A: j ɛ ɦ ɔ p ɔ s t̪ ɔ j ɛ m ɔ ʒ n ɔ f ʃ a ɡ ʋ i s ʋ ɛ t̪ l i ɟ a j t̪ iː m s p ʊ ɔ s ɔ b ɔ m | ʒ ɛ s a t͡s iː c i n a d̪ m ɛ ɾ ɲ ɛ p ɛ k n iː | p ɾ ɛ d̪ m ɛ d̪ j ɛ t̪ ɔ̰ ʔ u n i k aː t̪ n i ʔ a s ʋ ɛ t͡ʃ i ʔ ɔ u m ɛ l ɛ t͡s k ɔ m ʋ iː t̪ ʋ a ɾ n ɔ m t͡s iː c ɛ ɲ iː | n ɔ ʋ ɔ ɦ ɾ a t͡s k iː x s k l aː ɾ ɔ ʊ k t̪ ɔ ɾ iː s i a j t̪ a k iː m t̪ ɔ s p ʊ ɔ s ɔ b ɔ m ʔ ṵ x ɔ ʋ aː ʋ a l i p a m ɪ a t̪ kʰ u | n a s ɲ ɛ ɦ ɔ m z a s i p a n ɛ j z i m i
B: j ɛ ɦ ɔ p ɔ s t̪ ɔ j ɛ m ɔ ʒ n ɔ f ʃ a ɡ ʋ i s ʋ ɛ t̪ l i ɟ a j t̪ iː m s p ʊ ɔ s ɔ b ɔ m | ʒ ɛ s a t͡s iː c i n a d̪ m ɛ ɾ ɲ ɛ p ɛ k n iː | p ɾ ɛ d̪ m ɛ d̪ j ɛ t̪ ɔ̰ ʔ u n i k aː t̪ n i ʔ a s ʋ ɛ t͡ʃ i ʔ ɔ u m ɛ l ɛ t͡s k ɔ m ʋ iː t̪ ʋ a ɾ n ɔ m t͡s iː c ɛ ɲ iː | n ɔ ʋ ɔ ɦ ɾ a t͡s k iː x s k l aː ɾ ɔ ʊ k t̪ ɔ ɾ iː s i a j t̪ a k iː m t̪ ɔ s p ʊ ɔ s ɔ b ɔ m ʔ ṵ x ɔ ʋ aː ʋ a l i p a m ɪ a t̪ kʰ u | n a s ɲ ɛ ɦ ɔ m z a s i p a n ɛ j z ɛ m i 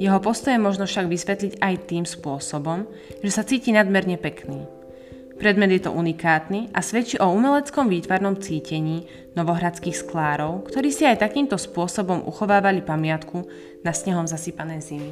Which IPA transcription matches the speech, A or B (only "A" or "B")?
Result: A